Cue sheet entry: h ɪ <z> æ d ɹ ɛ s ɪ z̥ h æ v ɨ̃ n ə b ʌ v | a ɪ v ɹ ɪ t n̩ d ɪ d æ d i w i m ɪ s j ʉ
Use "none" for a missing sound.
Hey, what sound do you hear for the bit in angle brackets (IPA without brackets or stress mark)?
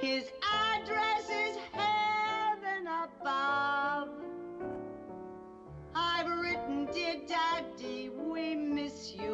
z